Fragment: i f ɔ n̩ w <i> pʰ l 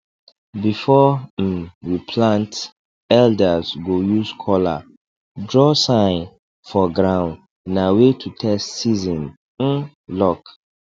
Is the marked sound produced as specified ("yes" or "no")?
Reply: yes